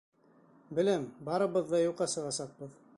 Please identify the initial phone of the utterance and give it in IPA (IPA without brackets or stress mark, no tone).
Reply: b